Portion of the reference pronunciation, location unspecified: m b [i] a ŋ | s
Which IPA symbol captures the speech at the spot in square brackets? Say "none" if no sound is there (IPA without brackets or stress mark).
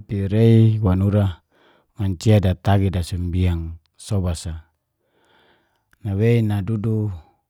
i